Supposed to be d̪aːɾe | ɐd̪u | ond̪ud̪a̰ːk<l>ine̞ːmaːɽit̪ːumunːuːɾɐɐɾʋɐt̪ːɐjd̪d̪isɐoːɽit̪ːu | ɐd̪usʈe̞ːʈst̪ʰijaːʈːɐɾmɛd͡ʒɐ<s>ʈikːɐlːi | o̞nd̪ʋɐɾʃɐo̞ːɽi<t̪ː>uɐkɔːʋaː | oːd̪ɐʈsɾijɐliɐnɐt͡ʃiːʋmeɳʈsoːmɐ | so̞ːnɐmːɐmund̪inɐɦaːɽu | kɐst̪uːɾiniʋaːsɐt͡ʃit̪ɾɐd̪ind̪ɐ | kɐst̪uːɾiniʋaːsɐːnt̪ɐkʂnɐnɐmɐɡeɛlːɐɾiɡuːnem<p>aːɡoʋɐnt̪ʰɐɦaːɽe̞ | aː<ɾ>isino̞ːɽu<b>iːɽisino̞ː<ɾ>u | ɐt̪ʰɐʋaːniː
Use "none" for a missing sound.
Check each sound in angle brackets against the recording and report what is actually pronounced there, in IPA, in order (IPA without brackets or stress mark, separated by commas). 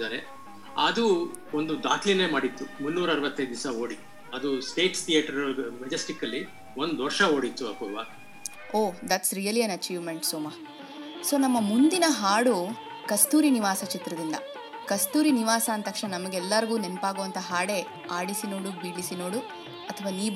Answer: l, s, t̪ː, p, ɽ, b, ɽ